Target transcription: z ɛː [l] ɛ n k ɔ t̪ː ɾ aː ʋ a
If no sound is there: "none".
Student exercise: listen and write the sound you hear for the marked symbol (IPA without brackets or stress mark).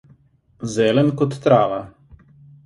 l